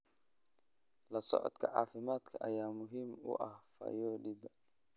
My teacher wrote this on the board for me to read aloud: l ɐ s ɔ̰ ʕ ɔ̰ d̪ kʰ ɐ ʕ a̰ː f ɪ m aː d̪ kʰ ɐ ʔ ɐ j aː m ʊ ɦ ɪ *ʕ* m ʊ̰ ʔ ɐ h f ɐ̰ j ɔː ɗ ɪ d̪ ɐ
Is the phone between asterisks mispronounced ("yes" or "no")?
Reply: yes